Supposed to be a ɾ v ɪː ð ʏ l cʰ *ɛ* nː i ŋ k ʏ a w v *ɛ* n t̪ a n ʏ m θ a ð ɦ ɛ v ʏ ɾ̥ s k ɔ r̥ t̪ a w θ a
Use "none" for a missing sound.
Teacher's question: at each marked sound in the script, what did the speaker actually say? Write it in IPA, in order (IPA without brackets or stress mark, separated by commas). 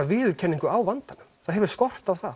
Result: ɛ, a